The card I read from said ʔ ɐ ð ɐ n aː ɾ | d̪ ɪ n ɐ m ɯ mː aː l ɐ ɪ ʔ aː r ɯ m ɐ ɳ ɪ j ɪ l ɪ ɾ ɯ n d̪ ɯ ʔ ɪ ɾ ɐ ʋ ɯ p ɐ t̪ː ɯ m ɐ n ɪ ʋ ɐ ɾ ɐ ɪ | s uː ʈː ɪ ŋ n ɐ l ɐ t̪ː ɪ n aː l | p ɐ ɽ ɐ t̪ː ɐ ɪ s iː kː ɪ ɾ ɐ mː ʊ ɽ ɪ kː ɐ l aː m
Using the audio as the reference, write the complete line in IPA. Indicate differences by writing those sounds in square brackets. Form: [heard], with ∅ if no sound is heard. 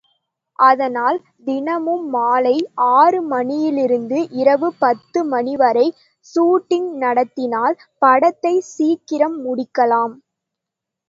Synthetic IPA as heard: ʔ ɐ ð ɐ n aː [l] | d̪ ɪ n ɐ m ɯ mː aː l ɐ ɪ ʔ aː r ɯ m ɐ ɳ ɪ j ɪ l ɪ ɾ ɯ n d̪ ɯ ʔ ɪ ɾ ɐ ʋ ɯ p ɐ t̪ː ɯ m ɐ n ɪ ʋ ɐ ɾ ɐ ɪ | s uː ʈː ɪ ŋ n ɐ [ɽ] ɐ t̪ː ɪ n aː l | p ɐ ɽ ɐ t̪ː ɐ ɪ s iː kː ɪ ɾ ɐ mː ʊ ɽ ɪ kː ɐ l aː m

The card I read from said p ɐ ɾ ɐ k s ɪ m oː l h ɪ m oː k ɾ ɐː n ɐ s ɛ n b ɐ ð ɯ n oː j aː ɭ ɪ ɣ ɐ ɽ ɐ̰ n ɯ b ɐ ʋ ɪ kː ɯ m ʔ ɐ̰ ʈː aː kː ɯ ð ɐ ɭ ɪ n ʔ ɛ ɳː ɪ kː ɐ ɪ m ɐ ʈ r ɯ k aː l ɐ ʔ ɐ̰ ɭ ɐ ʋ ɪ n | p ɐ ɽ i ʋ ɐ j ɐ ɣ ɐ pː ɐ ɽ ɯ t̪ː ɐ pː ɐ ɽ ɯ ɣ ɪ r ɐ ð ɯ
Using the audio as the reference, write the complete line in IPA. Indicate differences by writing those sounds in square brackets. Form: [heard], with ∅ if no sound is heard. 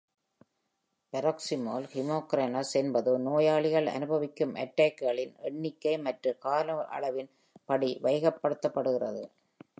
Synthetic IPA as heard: p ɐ ɾ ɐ k s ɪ m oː l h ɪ m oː k ɾ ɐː n ɐ s ɛ n b ɐ ð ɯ n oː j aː ɭ ɪ ɣ ɐ [ɭ] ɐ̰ n ɯ b ɐ ʋ ɪ kː ɯ m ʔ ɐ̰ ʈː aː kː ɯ [ɣ] ɐ ɭ ɪ n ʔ ɛ ɳː ɪ kː ɐ ɪ m ɐ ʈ r ɯ k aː l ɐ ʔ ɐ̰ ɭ ɐ ʋ ɪ n | p ɐ ɽ i ʋ ɐ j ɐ ɣ ɐ pː ɐ ɽ ɯ t̪ː ɐ pː ɐ ɽ ɯ ɣ ɪ r ɐ ð ɯ

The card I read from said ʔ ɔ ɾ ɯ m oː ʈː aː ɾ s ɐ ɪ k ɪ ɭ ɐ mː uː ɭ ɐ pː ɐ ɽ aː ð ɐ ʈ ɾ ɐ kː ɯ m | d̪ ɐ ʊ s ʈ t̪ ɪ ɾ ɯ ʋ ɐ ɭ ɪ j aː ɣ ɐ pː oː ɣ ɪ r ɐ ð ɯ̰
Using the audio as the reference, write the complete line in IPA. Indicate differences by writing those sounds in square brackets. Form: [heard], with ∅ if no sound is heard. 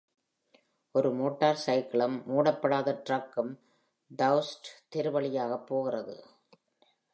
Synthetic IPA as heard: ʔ ɔ ɾ ɯ m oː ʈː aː ɾ s ɐ ɪ k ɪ ɭ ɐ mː uː [ɽ] ɐ pː ɐ ɽ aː ð ɐ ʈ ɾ ɐ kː ɯ m | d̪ ɐ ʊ s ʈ t̪ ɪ ɾ ɯ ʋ ɐ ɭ ɪ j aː ɣ ɐ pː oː ɣ ɪ r ɐ ð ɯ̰

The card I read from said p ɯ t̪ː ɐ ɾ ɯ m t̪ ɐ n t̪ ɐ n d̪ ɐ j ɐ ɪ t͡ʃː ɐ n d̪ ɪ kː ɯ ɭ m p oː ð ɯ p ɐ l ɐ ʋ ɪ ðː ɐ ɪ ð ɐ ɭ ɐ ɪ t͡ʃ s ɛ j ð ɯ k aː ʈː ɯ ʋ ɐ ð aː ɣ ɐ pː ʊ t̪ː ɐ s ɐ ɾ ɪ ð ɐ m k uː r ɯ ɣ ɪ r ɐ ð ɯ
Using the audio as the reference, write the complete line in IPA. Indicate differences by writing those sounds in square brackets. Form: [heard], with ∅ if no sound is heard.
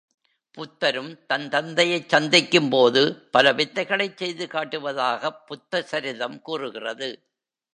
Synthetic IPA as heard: p [ʊ] t̪ː ɐ ɾ ɯ m t̪ ɐ n t̪ ɐ n d̪ ɐ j ɐ ɪ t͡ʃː ɐ n d̪ ɪ kː ɯ [∅] m p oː ð ɯ p ɐ l ɐ ʋ ɪ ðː ɐ ɪ [ɣ] ɐ ɭ ɐ ɪ t͡ʃ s ɛ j ð ɯ k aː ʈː ɯ ʋ ɐ ð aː ɣ ɐ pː ʊ t̪ː ɐ s ɐ ɾ ɪ ð ɐ m k uː r ɯ ɣ ɪ r ɐ ð ɯ

